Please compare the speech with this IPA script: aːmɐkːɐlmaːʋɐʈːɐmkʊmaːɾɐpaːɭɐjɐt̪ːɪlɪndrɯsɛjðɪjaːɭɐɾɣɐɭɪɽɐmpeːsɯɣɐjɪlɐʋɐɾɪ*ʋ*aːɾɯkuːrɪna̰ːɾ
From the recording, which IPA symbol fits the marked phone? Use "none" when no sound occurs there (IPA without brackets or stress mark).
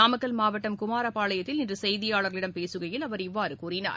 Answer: ʋː